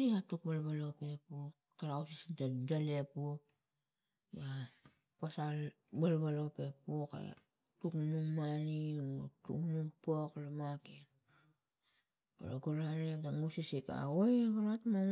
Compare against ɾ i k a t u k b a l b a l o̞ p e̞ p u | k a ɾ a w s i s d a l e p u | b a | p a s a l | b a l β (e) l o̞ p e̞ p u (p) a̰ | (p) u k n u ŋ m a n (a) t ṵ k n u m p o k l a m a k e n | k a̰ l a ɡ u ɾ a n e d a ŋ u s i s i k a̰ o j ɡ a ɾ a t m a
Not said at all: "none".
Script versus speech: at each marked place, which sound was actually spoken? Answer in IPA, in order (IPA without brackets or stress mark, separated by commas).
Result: a, k, t, i